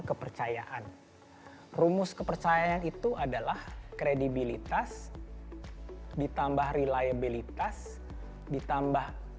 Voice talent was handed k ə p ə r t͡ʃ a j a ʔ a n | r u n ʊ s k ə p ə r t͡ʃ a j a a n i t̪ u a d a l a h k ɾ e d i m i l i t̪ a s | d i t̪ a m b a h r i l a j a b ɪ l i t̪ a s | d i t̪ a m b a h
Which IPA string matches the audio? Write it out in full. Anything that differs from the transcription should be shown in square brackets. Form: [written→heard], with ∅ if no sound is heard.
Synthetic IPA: k ə p ə r t͡ʃ a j a ʔ a n | r u [n→m] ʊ s k ə p ə r t͡ʃ a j a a n i t̪ u a d a l a h k ɾ e d i [m→b] i l i t̪ a s | d i t̪ a m b a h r i l a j a b [ɪ→i] l i t̪ a s | d i t̪ a m b a h